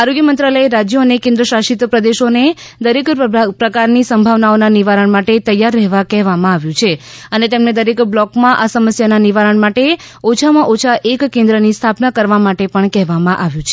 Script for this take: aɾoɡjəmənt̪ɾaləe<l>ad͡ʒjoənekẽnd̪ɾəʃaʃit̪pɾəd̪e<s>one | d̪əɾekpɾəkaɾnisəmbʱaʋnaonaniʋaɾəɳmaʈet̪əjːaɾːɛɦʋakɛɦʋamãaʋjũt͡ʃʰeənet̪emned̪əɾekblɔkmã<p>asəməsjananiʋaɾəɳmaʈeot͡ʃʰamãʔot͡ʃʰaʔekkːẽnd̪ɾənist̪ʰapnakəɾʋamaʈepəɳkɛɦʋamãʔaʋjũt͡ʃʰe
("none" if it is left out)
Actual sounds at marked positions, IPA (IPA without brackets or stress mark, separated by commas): ɾ, ʃ, ʔ